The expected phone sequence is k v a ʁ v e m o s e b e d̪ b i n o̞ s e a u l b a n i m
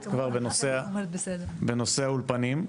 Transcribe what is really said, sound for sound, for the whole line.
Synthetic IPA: k v a ʁ b e n o s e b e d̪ b e n o̞ s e a u l p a n i m